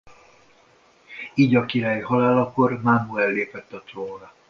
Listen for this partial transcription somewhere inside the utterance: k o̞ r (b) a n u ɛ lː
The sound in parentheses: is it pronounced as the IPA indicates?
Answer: no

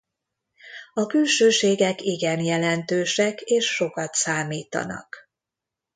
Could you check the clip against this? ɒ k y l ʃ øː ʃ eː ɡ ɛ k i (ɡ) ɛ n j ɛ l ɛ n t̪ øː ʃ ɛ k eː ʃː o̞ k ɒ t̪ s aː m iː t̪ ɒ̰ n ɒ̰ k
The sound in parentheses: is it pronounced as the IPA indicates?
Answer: yes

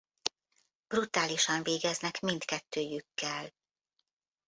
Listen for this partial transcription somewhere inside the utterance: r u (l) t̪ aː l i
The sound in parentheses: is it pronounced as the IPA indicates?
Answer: no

